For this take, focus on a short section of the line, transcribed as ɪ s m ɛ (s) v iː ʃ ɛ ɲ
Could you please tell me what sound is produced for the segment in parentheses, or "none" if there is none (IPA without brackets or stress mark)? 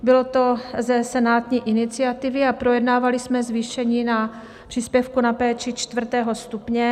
z